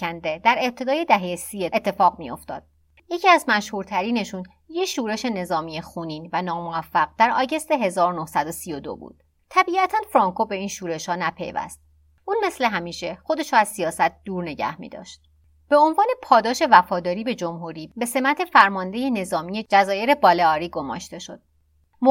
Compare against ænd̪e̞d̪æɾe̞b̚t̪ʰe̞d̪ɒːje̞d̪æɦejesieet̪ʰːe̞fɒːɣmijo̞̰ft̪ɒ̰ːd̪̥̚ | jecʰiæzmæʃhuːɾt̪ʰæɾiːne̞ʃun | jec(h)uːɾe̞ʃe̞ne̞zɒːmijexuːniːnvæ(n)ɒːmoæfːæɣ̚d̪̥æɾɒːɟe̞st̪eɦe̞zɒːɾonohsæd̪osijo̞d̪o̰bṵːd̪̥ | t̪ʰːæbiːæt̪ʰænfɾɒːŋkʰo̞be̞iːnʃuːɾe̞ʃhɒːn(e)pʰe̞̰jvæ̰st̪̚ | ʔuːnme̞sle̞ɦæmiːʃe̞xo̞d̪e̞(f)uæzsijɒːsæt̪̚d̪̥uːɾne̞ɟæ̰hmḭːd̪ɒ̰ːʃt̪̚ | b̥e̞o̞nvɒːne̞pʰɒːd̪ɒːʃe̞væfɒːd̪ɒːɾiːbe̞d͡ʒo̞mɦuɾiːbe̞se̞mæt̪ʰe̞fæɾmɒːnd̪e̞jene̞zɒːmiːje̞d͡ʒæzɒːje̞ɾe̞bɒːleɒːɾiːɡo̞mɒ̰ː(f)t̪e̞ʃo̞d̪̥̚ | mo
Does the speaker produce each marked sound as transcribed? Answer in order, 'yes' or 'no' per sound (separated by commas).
no, yes, no, no, no